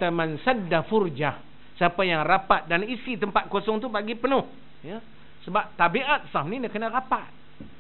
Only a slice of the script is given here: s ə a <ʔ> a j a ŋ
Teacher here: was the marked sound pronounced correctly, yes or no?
no